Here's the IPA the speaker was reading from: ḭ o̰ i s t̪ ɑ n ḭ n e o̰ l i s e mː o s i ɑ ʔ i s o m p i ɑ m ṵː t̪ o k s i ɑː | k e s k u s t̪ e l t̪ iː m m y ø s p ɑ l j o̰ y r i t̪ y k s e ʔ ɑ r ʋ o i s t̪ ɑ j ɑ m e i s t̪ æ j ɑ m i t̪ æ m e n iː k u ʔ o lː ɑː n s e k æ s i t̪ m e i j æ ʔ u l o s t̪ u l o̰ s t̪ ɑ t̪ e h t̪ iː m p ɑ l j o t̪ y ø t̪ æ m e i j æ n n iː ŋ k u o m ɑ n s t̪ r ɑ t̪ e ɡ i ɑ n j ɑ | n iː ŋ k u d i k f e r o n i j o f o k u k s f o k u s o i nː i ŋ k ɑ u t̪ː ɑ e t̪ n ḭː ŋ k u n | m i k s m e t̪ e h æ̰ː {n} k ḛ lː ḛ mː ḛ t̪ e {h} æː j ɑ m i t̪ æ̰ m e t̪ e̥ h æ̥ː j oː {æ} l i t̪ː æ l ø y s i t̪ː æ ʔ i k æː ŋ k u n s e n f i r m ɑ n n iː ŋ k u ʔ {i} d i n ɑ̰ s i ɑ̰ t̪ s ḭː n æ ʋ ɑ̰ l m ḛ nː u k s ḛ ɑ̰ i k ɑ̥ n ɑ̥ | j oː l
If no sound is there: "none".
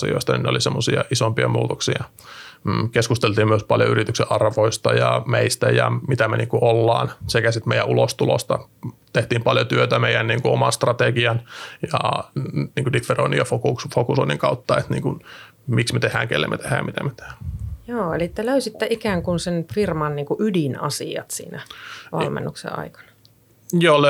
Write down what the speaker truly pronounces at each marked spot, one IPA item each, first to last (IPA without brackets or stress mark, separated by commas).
ŋ, h, e, y